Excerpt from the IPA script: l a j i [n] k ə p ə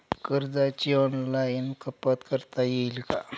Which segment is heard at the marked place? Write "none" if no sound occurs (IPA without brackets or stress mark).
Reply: n